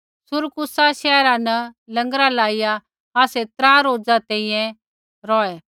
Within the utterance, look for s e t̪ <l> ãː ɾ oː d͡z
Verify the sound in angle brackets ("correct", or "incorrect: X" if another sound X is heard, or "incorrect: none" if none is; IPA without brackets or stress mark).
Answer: incorrect: ɾ